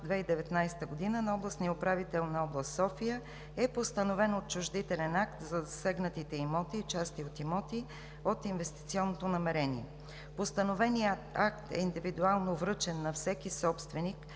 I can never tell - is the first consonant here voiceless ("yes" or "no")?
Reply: no